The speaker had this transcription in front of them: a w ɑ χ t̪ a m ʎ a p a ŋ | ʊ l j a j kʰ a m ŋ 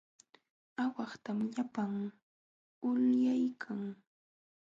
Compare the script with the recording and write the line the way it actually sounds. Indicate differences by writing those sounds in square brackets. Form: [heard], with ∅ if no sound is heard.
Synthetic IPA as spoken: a w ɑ χ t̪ a m ʎ a p a ŋ | ʊ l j a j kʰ a [∅] ŋ